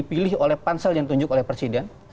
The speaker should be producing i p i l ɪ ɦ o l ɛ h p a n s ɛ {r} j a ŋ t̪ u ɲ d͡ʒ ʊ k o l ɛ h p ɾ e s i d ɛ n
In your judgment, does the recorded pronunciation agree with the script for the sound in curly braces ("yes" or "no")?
no